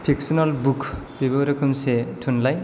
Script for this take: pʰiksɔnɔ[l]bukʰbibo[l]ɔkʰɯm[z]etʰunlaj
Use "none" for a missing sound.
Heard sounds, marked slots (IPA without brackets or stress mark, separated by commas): l, ɾ, s